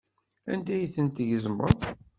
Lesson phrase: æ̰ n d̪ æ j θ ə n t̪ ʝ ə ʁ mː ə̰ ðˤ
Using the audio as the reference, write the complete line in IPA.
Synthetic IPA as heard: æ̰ n d̪ æ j θ ə n t̪ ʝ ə z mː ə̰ ðˤ